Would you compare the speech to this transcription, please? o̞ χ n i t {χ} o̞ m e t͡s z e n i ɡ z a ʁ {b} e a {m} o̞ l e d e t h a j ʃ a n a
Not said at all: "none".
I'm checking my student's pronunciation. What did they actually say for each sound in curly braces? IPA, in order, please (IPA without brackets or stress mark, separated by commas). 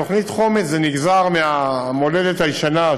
χ, m, m